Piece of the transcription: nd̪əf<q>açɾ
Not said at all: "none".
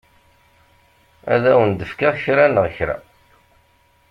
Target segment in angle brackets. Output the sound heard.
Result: k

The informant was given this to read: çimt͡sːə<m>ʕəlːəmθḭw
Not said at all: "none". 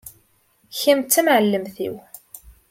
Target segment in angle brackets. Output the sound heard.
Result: m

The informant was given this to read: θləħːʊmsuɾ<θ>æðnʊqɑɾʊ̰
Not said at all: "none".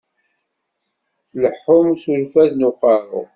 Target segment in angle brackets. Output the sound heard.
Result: f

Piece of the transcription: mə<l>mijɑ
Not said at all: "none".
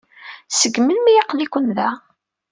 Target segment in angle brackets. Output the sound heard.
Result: l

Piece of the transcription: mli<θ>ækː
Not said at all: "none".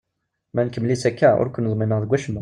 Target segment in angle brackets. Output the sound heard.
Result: s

